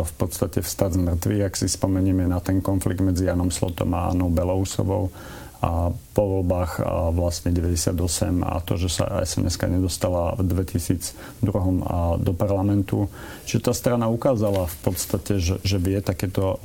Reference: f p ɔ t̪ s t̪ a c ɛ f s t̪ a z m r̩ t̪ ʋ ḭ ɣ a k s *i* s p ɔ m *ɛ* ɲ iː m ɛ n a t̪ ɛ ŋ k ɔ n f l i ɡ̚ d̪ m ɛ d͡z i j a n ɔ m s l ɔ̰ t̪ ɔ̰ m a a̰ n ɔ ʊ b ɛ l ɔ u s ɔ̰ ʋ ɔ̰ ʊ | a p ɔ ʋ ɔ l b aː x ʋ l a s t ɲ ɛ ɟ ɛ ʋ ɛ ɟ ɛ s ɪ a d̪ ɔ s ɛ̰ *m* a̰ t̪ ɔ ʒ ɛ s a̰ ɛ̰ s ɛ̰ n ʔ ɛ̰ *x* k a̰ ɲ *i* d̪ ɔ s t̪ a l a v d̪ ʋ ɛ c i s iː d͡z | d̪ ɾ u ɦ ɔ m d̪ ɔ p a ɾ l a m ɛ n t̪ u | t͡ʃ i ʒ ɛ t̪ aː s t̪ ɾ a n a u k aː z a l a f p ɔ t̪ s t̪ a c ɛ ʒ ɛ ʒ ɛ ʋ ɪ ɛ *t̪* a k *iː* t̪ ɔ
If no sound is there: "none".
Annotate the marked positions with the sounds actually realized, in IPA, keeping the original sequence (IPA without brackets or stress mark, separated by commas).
i, ɛ, m, s, ɛ, t̪, ɛː